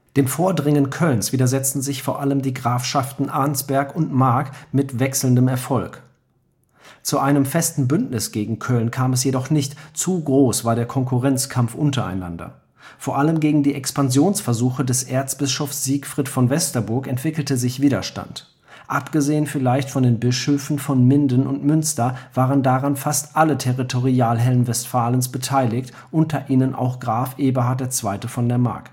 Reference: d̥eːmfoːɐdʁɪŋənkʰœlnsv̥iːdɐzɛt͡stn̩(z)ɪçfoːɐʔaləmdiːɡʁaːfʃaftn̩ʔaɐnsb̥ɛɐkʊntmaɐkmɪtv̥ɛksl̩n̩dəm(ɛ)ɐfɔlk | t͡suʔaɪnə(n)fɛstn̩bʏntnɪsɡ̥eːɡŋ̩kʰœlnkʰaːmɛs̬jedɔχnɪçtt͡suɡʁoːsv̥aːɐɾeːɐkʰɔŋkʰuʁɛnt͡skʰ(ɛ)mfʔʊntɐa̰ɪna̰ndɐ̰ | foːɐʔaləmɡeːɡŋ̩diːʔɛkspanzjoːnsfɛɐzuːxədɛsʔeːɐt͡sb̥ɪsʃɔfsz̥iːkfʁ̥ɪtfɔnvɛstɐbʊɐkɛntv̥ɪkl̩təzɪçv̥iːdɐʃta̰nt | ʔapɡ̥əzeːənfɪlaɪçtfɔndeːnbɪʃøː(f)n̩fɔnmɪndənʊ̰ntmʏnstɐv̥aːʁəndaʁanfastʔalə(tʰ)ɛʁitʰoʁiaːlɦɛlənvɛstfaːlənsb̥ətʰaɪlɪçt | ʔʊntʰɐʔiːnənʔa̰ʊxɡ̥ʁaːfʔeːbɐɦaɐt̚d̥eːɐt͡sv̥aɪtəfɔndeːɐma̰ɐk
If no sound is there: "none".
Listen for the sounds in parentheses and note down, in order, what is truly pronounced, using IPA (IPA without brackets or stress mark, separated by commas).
z, ɛ, m, a, f, tʰ